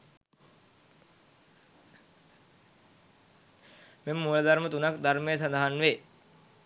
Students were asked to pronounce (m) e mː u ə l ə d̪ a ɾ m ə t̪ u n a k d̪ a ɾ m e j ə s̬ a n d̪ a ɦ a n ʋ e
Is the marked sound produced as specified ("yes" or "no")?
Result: yes